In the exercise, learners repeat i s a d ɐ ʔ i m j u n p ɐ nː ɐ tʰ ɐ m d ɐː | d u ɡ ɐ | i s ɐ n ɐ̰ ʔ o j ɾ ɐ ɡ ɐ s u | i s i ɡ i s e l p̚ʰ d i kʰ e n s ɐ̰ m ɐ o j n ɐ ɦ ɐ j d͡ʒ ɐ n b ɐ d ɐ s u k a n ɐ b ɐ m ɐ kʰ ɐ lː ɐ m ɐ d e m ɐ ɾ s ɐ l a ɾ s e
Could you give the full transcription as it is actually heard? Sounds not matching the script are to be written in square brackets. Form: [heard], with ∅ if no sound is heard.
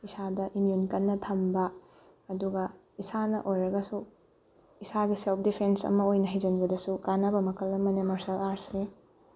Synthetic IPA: i s a d ɐ ʔ i m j u n [k] ɐ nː ɐ tʰ ɐ m [b] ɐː | d u ɡ ɐ | i s [a] n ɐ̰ ʔ o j ɾ ɐ ɡ ɐ s u | i s [a] ɡ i s e l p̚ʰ d i [pʰ] e n s ɐ̰ m ɐ o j n ɐ ɦ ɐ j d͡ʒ ɐ n b ɐ d ɐ s u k a n ɐ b ɐ m ɐ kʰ ɐ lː ɐ m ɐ [n] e m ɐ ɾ s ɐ l a ɾ s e